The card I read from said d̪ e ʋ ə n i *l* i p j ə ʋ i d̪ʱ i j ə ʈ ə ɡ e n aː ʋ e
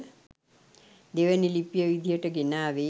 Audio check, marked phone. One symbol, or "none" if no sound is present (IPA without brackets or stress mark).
l